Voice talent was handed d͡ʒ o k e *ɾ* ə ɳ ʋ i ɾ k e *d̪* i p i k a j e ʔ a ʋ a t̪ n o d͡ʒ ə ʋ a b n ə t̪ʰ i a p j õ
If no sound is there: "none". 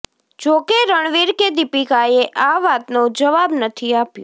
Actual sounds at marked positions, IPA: ɾ, d̪

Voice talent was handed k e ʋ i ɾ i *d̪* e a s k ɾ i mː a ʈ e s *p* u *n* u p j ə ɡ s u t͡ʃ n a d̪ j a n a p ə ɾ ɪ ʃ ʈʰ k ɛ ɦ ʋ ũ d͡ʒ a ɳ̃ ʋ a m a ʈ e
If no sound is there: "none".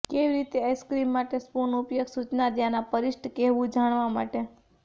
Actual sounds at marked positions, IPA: t̪, p, n

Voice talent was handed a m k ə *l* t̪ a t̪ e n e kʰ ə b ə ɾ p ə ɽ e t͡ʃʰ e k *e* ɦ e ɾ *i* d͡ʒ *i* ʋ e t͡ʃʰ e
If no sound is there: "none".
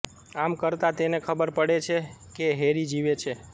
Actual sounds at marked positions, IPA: ɾ, e, i, i

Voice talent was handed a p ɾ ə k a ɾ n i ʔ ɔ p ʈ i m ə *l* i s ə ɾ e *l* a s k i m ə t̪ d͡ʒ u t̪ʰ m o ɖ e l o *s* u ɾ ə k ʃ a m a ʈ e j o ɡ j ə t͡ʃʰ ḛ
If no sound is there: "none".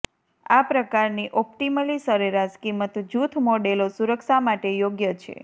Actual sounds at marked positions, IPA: l, ɾ, s

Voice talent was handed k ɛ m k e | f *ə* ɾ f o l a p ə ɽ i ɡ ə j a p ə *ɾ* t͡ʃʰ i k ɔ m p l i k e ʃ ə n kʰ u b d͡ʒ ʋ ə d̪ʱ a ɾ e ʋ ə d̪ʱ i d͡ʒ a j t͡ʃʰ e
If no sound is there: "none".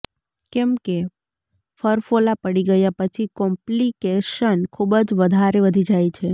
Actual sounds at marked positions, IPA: ə, none

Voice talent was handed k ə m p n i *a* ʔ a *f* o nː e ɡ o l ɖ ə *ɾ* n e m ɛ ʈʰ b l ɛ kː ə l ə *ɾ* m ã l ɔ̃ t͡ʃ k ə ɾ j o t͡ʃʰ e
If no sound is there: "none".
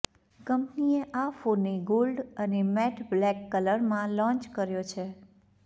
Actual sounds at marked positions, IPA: e, f, none, ɾ

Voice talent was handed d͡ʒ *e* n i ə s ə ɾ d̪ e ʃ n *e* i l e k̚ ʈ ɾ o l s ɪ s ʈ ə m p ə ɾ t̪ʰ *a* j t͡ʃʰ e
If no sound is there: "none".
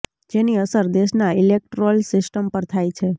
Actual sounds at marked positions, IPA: e, a, a

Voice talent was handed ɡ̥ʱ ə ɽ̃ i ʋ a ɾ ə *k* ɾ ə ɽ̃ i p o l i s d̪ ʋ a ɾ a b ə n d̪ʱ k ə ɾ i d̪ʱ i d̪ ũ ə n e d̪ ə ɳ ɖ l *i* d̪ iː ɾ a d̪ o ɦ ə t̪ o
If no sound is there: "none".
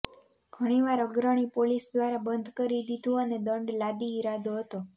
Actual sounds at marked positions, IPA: ɡ, a

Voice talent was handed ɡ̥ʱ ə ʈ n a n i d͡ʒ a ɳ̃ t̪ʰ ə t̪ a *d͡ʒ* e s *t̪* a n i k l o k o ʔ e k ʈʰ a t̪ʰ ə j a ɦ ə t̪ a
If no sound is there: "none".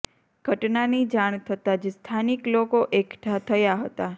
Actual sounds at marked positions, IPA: d͡ʒ, t̪ʰ

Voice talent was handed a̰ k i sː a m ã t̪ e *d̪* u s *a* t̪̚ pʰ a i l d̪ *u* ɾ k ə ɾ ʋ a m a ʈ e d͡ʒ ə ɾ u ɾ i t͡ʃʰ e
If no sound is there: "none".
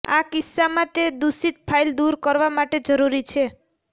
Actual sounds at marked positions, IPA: d̪, i, u

